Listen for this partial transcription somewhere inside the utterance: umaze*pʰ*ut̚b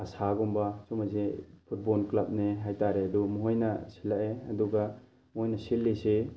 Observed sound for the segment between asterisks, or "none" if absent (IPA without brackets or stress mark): pʰ